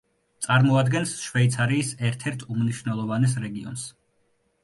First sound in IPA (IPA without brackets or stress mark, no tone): t̪